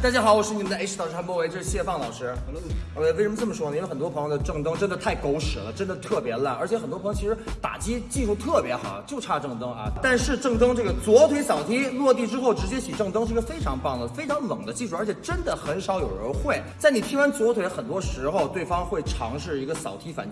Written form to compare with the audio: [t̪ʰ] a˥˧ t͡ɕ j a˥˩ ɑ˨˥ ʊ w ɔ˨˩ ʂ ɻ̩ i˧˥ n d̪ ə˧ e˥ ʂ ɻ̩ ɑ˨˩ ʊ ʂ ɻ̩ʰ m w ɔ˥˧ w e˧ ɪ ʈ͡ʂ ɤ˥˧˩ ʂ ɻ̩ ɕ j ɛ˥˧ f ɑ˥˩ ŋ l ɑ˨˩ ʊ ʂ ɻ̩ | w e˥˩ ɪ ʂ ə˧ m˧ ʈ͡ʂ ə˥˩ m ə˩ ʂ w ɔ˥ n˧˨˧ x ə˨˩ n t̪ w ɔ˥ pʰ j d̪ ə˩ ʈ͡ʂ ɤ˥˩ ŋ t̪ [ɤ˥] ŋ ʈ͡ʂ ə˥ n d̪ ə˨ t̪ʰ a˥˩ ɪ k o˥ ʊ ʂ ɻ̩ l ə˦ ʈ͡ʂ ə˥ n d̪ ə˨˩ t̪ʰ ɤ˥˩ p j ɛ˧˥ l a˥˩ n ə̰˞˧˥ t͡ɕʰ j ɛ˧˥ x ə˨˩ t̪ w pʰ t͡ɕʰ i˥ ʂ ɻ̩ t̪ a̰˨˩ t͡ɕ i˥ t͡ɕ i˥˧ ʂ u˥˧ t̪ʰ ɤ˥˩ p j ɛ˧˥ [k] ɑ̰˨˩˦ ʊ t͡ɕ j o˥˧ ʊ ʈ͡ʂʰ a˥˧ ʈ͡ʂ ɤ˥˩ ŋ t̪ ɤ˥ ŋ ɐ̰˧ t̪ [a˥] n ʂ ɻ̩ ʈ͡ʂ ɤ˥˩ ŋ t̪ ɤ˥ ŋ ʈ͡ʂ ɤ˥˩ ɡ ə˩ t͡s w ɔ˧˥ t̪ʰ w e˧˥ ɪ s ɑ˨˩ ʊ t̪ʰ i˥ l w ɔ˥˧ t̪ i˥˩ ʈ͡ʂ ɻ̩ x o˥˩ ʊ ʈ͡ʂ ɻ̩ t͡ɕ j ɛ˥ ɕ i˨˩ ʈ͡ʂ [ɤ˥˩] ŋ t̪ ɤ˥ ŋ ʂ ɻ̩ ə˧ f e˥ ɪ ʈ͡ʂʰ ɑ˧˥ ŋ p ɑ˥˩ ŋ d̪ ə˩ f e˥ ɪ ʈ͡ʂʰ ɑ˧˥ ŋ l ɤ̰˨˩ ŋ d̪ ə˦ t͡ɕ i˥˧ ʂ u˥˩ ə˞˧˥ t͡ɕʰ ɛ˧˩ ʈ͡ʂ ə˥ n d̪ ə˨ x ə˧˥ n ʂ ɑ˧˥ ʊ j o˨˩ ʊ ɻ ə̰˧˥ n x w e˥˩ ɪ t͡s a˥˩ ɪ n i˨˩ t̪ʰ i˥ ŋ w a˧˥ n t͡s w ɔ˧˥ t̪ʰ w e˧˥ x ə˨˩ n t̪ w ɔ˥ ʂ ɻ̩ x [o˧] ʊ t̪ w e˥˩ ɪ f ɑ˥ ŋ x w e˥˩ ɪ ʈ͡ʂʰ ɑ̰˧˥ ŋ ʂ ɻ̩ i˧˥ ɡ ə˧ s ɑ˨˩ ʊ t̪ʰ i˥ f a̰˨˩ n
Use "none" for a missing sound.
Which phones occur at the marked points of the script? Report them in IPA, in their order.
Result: t̪, ɤ˥, x, a˥˧, ɤ˥˩, o˧

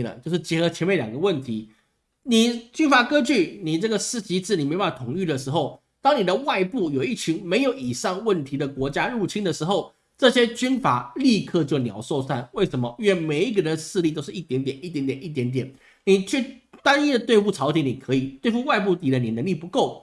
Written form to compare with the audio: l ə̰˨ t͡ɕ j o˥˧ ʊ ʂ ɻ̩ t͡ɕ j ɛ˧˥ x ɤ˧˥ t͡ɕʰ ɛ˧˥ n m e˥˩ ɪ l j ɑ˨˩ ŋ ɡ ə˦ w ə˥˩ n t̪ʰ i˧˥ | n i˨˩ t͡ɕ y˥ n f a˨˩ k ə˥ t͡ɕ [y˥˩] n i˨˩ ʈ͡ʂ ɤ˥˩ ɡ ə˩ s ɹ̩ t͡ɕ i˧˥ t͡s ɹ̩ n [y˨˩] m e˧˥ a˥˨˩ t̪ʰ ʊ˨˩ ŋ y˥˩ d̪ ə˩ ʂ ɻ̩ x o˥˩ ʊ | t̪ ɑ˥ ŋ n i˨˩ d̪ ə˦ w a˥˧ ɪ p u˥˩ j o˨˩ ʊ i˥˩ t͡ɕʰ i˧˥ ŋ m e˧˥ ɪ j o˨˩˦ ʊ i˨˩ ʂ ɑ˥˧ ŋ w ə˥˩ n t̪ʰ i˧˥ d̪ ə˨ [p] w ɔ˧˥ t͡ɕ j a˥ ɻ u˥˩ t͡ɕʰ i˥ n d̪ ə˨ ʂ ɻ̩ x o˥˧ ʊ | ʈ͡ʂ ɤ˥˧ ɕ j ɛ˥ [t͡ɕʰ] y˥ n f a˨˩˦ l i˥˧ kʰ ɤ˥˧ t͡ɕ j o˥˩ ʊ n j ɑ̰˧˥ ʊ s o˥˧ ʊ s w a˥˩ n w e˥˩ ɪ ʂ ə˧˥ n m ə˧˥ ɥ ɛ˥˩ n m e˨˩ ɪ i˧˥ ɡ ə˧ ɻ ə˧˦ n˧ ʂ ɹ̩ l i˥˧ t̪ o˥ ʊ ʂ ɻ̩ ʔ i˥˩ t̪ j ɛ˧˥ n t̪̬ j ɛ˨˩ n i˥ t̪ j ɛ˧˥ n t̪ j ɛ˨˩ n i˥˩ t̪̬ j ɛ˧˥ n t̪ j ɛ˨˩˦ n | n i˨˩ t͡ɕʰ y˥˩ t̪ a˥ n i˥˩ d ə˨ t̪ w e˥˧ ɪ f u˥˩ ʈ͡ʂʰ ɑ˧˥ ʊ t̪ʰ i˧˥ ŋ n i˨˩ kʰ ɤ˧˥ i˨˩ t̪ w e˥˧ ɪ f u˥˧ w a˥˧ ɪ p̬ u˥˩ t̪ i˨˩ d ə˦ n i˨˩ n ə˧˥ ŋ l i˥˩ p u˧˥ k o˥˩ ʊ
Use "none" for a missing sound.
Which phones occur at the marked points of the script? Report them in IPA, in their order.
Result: y˥˩, i˨˩, k, t͡ɕ

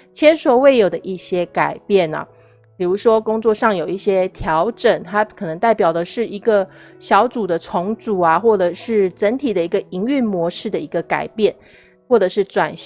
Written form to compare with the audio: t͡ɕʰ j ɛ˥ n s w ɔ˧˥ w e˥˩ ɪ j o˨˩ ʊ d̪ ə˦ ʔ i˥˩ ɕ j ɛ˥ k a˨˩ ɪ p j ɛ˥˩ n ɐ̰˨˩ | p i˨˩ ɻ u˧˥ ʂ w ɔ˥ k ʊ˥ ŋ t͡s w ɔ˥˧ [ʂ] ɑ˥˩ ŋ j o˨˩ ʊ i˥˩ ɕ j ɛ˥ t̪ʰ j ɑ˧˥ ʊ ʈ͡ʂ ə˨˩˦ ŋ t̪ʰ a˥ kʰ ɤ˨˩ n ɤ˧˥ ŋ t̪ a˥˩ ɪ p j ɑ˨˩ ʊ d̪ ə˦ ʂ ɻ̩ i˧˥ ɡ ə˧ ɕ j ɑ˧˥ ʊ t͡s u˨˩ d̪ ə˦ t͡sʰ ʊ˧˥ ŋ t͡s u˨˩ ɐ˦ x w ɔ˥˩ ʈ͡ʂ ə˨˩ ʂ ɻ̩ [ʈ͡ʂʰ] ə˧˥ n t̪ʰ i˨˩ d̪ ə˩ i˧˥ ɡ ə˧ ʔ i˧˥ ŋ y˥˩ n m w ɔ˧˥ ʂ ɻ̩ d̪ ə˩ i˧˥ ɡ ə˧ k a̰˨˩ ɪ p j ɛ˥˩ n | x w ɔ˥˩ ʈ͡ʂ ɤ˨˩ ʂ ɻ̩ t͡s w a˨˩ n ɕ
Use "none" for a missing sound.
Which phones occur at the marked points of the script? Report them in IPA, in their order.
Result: ʂ, ʈ͡ʂ

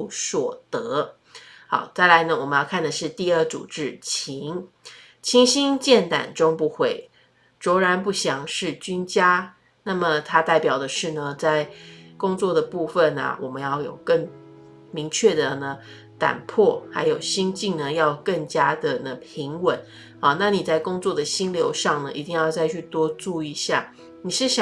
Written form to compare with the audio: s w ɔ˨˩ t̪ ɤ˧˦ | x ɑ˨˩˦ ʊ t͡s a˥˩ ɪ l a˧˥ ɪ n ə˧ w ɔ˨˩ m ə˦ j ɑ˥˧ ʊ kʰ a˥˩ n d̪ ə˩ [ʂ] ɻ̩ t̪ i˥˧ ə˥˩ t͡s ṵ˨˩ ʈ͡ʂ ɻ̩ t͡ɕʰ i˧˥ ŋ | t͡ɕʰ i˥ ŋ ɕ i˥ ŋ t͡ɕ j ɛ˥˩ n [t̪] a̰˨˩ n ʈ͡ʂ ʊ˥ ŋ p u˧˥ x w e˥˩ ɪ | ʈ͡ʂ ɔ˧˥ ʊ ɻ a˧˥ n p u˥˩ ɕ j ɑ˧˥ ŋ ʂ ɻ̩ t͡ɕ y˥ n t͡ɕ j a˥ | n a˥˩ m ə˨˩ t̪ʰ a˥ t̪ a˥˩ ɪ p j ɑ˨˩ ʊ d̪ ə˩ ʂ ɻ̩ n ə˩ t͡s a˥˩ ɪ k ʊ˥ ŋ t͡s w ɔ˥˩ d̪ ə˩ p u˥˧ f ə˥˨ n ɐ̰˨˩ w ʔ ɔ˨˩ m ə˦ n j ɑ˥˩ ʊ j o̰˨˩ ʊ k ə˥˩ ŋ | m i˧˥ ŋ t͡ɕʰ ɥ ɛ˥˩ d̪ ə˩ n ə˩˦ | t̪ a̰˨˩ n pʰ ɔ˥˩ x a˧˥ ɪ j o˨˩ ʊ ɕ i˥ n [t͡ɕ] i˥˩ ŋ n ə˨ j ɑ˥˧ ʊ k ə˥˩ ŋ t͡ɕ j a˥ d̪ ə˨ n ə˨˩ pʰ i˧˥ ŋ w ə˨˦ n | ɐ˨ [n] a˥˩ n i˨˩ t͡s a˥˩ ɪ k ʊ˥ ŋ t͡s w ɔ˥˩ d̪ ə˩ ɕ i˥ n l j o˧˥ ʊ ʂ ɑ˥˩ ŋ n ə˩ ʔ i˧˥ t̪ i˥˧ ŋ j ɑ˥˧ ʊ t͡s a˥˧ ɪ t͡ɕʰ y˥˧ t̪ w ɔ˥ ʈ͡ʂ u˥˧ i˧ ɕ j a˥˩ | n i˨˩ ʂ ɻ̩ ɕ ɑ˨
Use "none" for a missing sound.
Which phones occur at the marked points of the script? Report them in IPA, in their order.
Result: ʂ, t̪, t͡ɕ, n

